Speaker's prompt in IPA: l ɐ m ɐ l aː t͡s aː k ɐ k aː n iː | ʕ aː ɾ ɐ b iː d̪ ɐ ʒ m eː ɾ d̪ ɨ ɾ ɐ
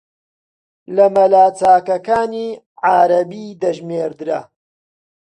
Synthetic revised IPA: l ɐ m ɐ l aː t͡s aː k ɐ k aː n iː | ʕ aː ɾ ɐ b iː d̪ ɐ ʒ m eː ɾ d̪ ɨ ɾ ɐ